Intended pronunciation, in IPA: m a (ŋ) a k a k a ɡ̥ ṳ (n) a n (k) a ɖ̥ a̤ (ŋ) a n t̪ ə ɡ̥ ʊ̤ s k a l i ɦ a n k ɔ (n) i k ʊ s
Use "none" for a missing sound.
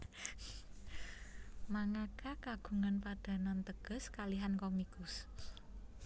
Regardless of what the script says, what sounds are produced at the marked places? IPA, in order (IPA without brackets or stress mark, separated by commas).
ŋ, ŋ, p, n, m